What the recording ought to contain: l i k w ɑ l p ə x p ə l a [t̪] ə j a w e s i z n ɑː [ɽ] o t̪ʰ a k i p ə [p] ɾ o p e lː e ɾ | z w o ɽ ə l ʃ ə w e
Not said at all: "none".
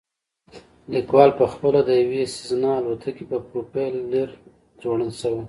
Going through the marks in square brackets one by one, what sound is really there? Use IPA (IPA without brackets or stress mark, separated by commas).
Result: d̪, l, p